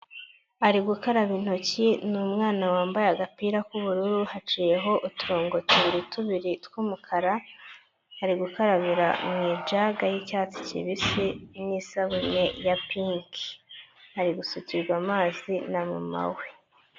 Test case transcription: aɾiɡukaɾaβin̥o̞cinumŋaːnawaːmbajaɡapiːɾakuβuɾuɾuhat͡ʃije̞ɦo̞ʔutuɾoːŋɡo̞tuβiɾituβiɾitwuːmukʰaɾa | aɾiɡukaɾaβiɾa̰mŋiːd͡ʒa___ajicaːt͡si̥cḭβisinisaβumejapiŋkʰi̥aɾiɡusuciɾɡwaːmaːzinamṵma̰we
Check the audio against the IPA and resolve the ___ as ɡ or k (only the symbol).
ɡ